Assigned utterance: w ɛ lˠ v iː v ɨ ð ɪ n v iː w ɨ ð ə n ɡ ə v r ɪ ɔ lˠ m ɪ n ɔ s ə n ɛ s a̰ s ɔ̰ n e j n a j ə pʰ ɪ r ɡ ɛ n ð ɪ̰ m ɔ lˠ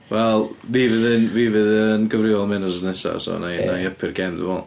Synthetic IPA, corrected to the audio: w ɛ lˠ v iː v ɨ ð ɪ n v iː v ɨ ð ə n ɡ ə v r ɪ ɔ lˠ m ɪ n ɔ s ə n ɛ s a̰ s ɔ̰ n a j n a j ə pʰ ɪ r ɡ ɛ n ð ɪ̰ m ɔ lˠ